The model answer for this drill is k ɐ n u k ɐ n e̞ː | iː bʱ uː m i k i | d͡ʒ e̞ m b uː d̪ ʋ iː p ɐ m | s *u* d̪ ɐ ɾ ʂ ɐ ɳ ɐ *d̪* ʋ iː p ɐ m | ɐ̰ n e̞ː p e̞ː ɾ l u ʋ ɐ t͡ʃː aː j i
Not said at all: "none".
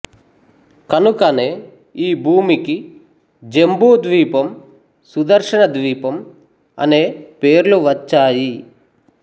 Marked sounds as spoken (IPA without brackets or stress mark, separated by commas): u, d̪